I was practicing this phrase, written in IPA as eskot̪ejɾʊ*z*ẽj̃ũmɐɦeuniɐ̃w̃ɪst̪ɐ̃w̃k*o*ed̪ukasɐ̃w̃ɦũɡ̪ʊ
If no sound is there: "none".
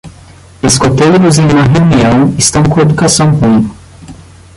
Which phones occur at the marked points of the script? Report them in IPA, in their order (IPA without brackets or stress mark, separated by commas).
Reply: z, õ